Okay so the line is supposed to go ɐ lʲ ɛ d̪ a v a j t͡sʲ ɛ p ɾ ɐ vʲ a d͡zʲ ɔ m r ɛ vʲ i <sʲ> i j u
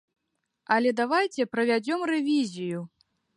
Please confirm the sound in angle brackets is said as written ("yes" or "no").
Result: no